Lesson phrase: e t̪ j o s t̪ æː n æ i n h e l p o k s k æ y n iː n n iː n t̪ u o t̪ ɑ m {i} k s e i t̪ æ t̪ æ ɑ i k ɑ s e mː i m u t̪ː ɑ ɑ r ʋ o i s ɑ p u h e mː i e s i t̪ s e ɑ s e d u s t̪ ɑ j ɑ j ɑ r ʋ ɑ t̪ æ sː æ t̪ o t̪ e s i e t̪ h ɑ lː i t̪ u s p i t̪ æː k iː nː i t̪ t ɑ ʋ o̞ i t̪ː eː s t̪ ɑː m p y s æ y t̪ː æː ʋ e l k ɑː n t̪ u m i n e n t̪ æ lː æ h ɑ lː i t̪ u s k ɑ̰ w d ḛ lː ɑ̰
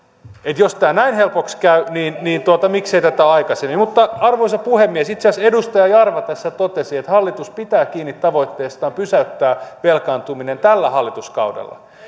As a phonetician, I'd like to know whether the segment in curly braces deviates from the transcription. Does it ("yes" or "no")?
no